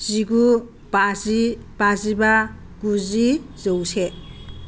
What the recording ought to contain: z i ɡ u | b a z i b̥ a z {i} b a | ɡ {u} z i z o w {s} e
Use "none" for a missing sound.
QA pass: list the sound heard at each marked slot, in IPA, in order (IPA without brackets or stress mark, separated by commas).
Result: i, u, s